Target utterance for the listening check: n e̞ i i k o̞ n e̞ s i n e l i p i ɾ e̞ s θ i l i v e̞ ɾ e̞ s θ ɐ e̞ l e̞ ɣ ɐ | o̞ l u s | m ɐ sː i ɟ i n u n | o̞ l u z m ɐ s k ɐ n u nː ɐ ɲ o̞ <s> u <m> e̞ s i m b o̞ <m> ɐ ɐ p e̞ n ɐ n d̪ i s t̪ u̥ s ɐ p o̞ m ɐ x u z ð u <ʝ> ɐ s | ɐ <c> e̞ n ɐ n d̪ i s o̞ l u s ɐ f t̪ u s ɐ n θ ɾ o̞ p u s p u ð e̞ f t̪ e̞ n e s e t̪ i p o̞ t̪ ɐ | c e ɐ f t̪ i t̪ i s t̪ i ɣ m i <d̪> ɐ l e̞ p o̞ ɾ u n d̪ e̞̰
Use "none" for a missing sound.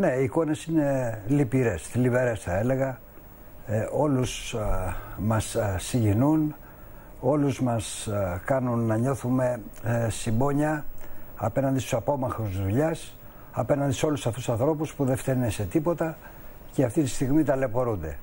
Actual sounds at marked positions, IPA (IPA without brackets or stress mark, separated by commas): θ, m, ɲ, ʎ, p, t̪